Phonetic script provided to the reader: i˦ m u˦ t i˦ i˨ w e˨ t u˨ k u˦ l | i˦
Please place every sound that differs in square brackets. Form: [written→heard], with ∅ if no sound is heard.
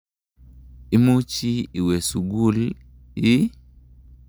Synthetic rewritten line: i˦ m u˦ [t→t͡ʃ] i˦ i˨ w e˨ [t→s] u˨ [k→ɡ] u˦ l | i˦